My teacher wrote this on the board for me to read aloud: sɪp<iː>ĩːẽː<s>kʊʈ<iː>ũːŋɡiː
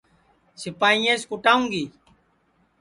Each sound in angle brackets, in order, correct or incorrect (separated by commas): incorrect, correct, incorrect